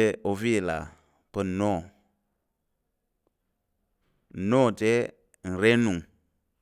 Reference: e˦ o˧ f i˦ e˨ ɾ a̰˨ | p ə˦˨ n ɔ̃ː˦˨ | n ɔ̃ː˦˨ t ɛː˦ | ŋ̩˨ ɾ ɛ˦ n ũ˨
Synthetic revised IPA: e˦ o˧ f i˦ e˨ l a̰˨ | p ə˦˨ n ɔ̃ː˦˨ | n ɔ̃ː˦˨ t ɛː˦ | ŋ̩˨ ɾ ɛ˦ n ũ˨